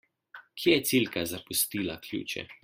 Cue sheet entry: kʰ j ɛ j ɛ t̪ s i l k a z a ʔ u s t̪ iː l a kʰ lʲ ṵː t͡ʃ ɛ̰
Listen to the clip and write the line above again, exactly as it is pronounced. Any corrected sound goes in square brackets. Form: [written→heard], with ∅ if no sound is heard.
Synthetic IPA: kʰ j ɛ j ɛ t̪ s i l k a z a [ʔ→p] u s t̪ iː l a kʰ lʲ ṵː t͡ʃ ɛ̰